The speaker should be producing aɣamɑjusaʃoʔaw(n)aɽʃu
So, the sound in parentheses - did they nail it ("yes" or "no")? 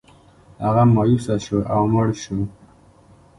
no